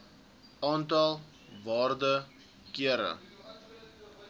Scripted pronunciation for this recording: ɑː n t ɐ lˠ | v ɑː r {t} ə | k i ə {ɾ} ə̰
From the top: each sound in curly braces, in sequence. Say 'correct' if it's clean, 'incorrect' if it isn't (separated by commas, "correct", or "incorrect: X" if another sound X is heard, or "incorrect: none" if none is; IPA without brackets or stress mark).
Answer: incorrect: d, correct